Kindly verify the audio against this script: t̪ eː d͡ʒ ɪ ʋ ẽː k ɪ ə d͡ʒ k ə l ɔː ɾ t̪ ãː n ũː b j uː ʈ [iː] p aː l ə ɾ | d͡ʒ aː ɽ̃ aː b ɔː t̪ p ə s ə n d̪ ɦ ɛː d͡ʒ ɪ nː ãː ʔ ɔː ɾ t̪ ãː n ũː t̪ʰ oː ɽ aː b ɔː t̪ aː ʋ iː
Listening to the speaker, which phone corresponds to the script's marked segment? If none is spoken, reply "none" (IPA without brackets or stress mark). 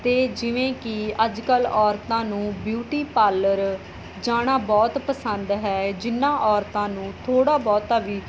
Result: iː